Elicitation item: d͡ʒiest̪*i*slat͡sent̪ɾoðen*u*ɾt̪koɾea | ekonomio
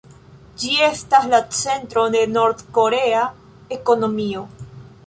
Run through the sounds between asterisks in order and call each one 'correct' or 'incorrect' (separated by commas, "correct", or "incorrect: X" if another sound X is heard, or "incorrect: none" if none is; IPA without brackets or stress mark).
incorrect: a, incorrect: o